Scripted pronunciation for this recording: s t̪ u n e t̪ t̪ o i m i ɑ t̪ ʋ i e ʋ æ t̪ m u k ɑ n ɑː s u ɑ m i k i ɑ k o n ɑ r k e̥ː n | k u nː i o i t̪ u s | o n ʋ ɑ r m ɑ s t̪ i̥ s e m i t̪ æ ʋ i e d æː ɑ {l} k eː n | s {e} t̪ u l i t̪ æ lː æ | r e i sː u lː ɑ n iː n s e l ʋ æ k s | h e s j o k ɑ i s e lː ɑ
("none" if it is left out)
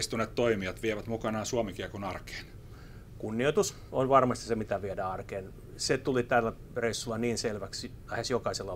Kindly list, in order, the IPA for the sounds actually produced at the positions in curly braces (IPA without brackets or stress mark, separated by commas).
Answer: r, e